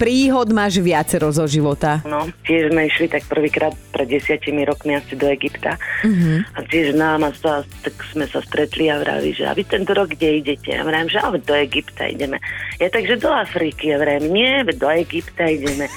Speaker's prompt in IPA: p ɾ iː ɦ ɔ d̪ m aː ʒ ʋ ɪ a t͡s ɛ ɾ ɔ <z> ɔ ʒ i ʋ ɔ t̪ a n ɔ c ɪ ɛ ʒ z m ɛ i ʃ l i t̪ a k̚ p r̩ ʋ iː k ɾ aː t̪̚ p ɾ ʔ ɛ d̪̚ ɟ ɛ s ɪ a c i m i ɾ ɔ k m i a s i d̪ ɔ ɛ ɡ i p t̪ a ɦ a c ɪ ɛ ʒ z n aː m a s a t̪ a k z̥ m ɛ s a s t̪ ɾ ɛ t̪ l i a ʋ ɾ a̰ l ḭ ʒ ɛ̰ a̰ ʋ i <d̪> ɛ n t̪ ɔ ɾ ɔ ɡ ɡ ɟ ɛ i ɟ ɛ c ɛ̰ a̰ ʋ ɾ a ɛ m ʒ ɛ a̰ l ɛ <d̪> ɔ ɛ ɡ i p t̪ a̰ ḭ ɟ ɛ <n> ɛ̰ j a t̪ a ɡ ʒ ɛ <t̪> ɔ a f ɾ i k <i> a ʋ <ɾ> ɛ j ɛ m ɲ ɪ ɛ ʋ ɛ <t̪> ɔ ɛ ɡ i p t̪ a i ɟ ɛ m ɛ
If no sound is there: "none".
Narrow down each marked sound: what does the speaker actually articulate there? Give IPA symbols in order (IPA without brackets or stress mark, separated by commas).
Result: z, t̪, d̪, m, d̪, i, ɾ, d̪